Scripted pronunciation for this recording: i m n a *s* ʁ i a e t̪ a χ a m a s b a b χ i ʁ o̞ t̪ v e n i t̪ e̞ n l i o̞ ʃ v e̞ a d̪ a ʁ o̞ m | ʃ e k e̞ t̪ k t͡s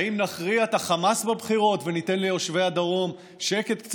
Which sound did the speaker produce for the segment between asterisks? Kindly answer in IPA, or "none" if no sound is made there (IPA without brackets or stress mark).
χ